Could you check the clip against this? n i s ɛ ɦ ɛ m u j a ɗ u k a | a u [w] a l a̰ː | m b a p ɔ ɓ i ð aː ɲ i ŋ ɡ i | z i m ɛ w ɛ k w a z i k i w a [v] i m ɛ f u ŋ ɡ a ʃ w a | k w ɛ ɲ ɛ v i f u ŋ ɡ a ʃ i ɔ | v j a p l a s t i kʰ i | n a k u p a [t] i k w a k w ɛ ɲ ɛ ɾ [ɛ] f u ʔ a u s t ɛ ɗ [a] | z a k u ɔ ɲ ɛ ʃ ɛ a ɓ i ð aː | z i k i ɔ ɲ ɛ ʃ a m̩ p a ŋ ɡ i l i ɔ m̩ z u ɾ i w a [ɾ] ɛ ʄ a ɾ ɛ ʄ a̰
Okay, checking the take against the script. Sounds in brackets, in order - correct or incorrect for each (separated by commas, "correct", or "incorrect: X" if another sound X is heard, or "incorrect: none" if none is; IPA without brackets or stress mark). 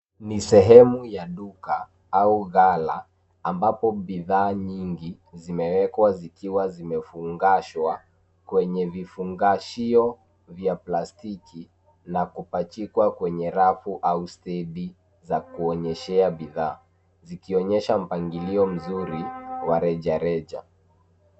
incorrect: ɣ, incorrect: z, incorrect: t͡ʃ, incorrect: a, incorrect: i, correct